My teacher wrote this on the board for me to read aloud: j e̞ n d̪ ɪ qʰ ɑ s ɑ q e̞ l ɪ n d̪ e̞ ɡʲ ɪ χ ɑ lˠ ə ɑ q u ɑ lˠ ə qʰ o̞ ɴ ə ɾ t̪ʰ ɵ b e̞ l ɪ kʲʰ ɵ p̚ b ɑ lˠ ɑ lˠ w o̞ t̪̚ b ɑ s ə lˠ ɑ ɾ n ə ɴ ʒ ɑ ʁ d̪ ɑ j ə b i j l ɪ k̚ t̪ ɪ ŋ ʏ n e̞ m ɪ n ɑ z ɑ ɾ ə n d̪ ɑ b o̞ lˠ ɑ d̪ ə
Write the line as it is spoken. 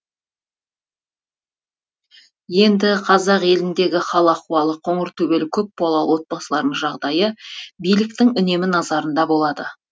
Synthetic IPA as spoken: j e̞ n d̪ ɪ qʰ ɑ z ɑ q e̞ l ɪ n d̪ e̞ ɡʲ ɪ χ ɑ lˠ ə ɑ q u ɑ lˠ ə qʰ o̞ ɴ ə ɾ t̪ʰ ɵ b e̞ l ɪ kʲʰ ɵ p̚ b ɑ lˠ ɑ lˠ w o̞ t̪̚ b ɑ s ə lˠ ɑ ɾ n ə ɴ ʒ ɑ ʁ d̪ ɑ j ə b i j l ɪ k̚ t̪ ɪ ŋ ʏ n e̞ m ɪ n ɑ z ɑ ɾ ə n d̪ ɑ b o̞ lˠ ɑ d̪ ə